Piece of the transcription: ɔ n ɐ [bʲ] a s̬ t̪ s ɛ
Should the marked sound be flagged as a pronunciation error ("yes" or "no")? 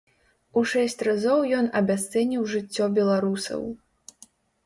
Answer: no